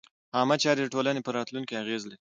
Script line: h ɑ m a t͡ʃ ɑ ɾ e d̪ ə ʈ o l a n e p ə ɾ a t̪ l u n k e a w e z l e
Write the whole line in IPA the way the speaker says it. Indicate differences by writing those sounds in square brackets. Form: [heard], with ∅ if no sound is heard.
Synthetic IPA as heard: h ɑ m a t͡ʃ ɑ ɾ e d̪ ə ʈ o l a n e p ə ɾ [ɑ] t̪ l u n k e a [ɣ] e z l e